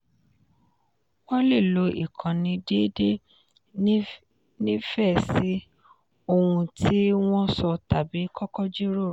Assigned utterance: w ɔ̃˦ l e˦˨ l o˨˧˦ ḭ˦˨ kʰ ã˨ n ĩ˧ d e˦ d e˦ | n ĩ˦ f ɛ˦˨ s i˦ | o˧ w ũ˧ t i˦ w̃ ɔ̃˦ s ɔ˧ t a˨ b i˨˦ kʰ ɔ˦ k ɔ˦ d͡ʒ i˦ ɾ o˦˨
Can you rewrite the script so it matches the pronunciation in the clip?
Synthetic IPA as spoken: w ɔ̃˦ l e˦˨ l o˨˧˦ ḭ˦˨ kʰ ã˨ n ĩ˧ d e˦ d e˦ | n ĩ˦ f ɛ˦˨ s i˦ | o˧ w ũ˧ t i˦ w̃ ɔ̃˦ s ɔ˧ t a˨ b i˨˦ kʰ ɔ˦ k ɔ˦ d͡ʒ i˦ ɾ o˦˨